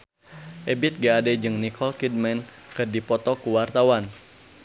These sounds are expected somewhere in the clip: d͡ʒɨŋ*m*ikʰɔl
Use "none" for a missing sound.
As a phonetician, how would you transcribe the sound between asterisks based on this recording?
n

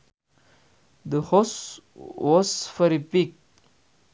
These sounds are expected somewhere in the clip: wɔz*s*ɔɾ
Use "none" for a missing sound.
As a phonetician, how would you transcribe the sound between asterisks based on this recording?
f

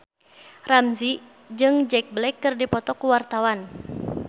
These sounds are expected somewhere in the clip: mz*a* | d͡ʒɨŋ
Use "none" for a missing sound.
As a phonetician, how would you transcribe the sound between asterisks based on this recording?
i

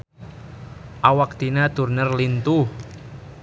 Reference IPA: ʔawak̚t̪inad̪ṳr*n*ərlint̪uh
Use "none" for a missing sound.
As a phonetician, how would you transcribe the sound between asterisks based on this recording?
n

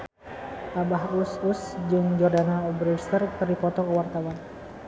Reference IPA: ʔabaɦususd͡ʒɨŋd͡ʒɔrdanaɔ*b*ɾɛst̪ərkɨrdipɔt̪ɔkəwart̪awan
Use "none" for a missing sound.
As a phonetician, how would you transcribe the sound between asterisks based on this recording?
b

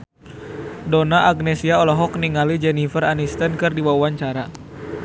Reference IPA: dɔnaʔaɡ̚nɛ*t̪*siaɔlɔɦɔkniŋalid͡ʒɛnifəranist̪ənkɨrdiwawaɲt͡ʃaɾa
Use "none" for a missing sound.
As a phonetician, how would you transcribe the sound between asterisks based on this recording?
none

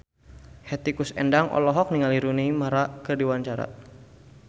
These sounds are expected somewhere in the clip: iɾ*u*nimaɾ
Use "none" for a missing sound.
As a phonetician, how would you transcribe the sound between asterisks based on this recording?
u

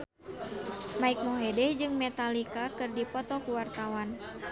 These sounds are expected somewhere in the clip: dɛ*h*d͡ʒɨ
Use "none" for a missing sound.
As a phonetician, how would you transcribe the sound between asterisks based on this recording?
h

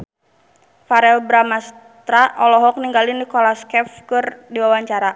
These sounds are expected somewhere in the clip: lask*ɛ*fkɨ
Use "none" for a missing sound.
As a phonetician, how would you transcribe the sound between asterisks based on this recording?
ɛ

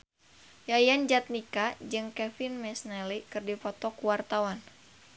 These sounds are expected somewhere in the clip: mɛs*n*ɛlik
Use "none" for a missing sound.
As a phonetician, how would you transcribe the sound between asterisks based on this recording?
n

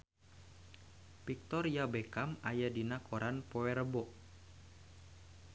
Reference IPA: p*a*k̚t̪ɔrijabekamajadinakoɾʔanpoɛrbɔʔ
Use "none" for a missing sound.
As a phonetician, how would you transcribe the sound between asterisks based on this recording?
i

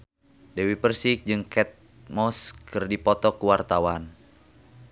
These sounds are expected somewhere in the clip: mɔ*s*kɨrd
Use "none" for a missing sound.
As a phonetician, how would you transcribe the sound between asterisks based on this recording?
s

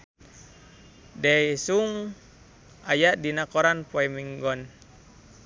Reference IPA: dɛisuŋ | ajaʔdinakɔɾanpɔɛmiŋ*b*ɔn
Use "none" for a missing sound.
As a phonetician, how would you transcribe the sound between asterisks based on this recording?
ɡ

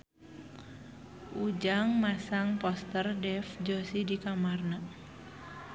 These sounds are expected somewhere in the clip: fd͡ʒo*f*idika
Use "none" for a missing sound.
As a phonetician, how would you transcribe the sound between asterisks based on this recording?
s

